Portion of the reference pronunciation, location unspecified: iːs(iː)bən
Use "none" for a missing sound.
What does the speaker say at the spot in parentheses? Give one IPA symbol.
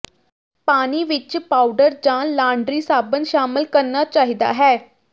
aː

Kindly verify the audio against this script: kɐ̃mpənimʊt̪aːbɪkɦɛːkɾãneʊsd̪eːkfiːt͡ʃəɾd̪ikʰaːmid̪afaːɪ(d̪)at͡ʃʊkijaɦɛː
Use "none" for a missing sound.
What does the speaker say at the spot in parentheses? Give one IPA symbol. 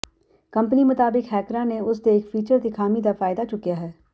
d̪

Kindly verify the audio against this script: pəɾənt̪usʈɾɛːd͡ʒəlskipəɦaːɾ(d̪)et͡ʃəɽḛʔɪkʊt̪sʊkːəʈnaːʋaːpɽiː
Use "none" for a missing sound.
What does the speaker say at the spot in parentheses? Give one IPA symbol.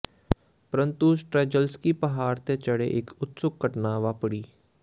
t̪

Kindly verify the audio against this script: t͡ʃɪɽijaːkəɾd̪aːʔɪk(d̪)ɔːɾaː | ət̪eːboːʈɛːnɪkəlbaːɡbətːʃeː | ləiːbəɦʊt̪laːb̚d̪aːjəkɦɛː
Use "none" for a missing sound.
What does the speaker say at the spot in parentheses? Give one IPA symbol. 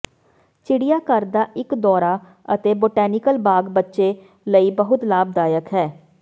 d̪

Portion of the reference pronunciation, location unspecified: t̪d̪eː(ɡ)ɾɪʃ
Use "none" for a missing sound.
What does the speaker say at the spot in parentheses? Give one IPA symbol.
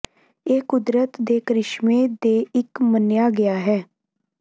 k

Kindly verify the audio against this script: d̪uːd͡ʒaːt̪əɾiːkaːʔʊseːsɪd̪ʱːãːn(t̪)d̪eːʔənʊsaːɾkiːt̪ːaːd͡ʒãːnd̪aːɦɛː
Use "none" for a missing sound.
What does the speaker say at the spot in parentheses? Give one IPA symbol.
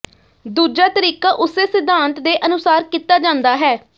t̪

